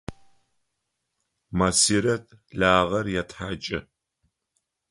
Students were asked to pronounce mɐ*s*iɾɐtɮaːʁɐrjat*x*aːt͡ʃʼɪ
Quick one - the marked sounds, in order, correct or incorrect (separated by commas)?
correct, incorrect